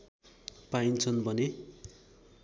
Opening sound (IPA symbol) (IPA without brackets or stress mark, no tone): p